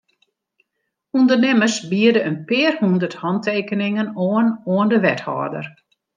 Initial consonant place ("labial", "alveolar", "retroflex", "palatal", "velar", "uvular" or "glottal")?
alveolar